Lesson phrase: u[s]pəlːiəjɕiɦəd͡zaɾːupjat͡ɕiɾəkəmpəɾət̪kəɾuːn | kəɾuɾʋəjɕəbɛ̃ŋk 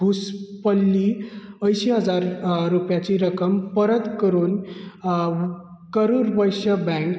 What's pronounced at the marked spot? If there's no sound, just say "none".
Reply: s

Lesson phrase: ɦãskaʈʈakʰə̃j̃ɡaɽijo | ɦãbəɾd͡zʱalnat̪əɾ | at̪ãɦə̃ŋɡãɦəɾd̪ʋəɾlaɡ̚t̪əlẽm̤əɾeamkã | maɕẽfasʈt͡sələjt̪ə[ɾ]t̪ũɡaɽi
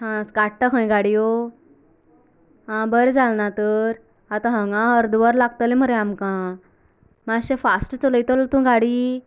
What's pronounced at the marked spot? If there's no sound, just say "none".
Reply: l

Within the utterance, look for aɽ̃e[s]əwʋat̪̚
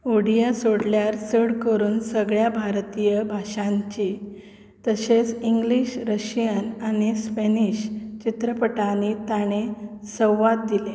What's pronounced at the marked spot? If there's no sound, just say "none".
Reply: s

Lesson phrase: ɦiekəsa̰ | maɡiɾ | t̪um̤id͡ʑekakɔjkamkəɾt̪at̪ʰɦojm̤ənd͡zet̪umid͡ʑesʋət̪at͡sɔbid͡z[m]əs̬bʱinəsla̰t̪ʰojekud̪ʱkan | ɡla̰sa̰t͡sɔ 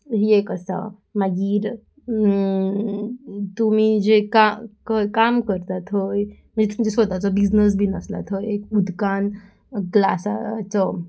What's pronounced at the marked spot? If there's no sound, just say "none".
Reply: n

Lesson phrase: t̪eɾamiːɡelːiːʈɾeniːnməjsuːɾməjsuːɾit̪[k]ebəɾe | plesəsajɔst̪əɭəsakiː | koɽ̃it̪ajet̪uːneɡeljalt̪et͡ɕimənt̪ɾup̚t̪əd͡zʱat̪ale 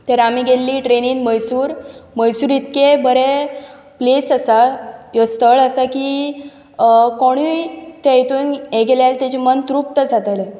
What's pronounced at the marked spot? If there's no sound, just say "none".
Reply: k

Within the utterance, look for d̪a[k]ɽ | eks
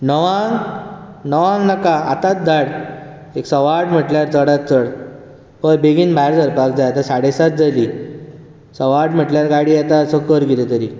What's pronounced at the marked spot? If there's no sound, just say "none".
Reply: none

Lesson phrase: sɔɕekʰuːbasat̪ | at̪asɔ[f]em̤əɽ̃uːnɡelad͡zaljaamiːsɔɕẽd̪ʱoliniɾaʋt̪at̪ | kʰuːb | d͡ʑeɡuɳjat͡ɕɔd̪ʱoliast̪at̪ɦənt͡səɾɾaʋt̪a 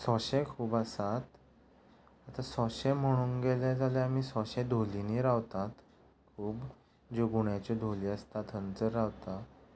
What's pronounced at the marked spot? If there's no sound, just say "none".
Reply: ɕ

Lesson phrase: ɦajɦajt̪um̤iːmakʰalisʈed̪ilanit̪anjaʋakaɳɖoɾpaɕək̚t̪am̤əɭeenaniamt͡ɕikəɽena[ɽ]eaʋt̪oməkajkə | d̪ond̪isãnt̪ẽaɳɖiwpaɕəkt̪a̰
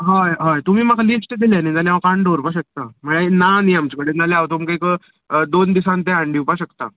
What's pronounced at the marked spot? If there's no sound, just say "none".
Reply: l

